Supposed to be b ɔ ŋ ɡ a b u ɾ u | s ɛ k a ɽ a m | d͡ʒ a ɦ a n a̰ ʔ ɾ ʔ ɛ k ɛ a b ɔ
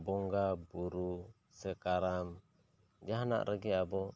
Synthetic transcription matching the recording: b ɔ ŋ ɡ a b u ɾ u | s ɛ k a ɾ a m | d͡ʒ a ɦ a n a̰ ʔ ɾ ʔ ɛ ɡ ɛ a b ɔ

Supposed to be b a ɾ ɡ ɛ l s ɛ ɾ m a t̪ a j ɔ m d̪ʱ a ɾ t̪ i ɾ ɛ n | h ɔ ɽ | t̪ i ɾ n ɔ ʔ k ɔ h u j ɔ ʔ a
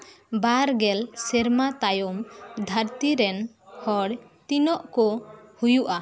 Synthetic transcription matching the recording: b a ɾ ɡ ɛ l s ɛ ɾ m a t̪ a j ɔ m d̪ʱ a ɾ t̪ i ɾ ɛ n | h ɔ ɽ | t̪ i n ɔ ʔ k ɔ h u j u ʔ a

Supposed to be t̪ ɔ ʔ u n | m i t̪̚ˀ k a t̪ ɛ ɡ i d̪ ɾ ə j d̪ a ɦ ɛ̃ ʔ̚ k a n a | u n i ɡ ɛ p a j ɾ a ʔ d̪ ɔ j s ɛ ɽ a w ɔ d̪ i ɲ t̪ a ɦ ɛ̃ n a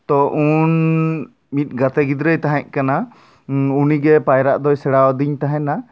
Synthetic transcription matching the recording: t̪ ɔ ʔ u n | m i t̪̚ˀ ɡ a t̪ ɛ ɡ i d̪ ɾ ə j t̪ a ɦ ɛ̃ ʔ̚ k a n a | u n i ɡ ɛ p a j ɾ a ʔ d̪ ɔ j s ɛ ɽ a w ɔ d̪ i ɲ t̪ a ɦ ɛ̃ n a

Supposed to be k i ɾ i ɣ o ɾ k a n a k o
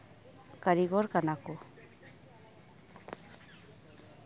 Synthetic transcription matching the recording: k a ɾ i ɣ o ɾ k a n a k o

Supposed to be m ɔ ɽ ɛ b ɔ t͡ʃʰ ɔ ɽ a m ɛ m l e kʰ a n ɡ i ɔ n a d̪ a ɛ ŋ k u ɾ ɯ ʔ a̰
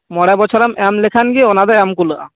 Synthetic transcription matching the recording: m ɔ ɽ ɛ b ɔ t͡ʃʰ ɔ ɾ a m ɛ m l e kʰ a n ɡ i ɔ n a d̪ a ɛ m k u l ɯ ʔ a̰

